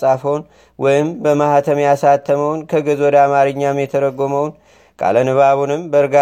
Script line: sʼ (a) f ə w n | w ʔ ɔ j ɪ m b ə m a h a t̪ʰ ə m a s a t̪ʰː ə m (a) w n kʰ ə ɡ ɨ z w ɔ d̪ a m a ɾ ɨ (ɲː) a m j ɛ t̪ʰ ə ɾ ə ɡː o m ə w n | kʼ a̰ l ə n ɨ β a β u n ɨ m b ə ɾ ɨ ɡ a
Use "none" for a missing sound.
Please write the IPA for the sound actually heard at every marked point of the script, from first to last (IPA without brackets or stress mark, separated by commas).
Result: a, ə, ɲː